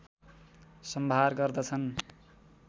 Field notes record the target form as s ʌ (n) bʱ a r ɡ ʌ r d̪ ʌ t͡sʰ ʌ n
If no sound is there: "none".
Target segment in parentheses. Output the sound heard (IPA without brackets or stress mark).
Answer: m